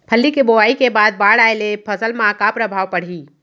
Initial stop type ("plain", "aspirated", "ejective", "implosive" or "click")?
aspirated